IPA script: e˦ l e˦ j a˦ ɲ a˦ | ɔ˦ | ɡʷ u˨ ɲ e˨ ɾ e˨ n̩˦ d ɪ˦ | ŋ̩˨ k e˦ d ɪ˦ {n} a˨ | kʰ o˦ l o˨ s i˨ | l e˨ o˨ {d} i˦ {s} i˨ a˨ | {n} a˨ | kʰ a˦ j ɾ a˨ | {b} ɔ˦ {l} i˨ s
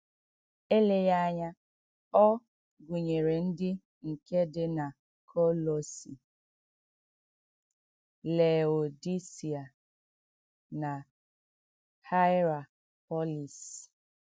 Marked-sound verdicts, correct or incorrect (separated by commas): correct, correct, correct, correct, incorrect, correct